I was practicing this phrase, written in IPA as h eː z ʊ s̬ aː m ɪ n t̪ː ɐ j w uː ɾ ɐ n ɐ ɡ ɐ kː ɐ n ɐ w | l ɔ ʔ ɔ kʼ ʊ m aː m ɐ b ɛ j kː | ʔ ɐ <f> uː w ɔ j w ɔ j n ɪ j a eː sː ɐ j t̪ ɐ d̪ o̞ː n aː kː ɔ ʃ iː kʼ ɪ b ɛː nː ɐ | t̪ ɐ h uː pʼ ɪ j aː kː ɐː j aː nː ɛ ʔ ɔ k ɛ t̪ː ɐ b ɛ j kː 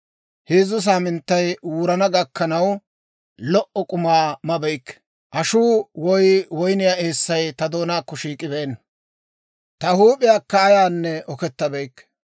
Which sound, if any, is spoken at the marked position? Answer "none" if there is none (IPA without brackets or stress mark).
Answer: ʃ